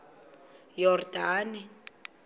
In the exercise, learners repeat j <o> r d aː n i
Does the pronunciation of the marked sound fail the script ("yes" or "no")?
yes